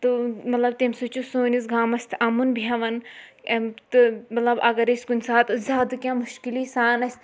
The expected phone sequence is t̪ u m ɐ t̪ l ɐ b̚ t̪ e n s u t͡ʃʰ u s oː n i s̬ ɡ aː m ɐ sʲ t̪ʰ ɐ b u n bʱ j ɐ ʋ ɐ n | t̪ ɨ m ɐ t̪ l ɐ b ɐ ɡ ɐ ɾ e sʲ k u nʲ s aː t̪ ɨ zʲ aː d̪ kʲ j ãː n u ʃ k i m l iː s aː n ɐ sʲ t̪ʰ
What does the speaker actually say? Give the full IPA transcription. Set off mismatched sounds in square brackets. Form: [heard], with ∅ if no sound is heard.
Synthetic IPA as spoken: t̪ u m ɐ t̪ l ɐ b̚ t̪ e [m] s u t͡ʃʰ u s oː n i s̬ ɡ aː m ɐ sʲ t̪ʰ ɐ [m] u n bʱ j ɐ ʋ ɐ n | t̪ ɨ m ɐ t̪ l ɐ b ɐ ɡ ɐ ɾ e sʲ k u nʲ s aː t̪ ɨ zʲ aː d̪ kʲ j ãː [m] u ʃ k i [∅] l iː s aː n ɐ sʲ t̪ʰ